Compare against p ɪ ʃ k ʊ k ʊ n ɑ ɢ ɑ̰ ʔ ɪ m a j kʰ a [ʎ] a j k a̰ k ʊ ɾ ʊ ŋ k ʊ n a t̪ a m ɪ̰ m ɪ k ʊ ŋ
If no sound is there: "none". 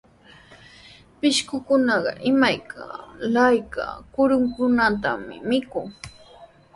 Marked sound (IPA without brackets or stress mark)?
l